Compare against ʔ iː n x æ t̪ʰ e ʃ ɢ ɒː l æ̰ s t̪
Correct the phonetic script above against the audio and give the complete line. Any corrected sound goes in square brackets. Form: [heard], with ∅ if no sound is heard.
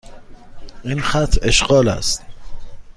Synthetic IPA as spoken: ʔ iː n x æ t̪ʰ e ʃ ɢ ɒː l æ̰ s t̪

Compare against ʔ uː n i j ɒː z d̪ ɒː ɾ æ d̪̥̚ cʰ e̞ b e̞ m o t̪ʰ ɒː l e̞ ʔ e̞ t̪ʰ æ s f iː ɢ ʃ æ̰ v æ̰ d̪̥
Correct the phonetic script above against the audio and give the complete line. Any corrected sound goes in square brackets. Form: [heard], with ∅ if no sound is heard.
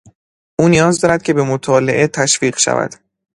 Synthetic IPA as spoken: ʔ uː n i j ɒː z d̪ ɒː ɾ æ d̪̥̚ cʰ e̞ b e̞ m o t̪ʰ ɒː l e̞ ʔ e̞ t̪ʰ æ [ʃ] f iː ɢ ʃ æ̰ v æ̰ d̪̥

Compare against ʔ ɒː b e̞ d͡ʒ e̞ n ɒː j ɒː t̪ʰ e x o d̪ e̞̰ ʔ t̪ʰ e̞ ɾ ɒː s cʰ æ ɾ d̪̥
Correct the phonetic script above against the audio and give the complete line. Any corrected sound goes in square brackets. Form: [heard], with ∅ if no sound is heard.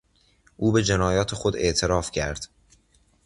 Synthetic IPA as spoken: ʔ [uː] b e̞ d͡ʒ e̞ n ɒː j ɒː t̪ʰ e x o d̪ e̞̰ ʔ t̪ʰ e̞ ɾ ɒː [f] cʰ æ ɾ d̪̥

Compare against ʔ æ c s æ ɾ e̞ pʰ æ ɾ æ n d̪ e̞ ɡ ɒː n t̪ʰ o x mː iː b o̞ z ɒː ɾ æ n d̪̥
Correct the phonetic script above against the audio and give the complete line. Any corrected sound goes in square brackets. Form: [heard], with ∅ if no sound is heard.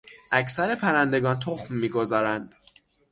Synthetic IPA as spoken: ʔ æ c s æ ɾ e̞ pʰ æ ɾ æ n d̪ e̞ ɡ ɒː n t̪ʰ o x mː iː [ɡ] o̞ z ɒː ɾ æ n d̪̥

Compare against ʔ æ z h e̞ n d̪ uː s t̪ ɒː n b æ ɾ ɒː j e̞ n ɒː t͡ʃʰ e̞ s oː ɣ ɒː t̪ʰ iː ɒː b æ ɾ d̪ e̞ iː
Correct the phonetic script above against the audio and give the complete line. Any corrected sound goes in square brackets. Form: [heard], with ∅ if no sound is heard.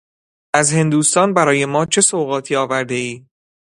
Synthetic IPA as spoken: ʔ æ z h e̞ n d̪ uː s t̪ ɒː n b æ ɾ ɒː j e̞ [m] ɒː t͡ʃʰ e̞ s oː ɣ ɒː t̪ʰ iː ɒː [v] æ ɾ d̪ e̞ iː

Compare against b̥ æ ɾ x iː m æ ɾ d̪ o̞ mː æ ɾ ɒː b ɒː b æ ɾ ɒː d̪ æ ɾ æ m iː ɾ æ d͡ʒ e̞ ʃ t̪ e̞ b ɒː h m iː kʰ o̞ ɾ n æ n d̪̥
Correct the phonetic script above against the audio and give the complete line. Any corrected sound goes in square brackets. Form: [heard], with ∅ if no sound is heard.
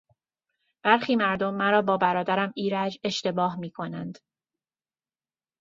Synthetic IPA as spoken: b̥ æ ɾ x iː m æ ɾ d̪ o̞ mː æ ɾ ɒː b ɒː b æ ɾ ɒː d̪ æ ɾ æ m iː ɾ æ d͡ʒ e̞ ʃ t̪ e̞ b ɒː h m iː kʰ o̞ [∅] n æ n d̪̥

